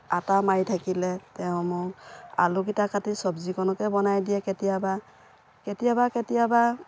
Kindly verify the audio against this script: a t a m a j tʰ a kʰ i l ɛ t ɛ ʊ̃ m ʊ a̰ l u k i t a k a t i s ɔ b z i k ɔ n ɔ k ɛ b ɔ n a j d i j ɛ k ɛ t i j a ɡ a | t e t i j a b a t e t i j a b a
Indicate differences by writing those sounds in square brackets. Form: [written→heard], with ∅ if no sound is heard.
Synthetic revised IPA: a t a m a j tʰ a [kʰ→k] i l ɛ t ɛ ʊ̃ m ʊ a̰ l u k i t a k a t i s ɔ b z i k ɔ n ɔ k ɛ b ɔ n a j d i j ɛ k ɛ t i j a [ɡ→b] a | [t→k] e t i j a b a [t→k] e t i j a b a